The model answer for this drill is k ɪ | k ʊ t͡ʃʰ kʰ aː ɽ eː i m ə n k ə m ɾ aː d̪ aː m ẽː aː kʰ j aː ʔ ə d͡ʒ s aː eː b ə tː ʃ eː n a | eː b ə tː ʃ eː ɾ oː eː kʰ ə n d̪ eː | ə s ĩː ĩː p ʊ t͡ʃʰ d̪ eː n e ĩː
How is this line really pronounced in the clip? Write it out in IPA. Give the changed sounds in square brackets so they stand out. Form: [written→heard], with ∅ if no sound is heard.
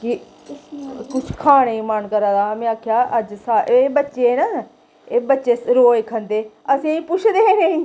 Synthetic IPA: k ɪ | k ʊ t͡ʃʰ kʰ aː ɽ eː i m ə n k ə [m→∅] ɾ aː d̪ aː m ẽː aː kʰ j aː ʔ ə d͡ʒ s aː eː b ə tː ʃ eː n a | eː b ə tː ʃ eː ɾ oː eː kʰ ə n d̪ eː | ə s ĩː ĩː p ʊ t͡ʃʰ d̪ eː n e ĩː